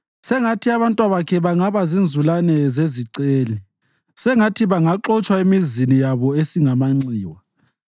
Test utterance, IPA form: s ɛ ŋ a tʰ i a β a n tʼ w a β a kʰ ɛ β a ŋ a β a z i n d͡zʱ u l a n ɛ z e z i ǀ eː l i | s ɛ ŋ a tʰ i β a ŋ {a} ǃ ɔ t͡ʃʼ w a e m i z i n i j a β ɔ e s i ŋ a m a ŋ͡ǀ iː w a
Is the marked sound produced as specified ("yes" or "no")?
yes